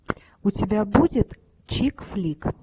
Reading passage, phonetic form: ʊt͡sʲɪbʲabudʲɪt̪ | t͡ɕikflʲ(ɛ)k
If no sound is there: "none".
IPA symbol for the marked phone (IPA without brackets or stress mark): i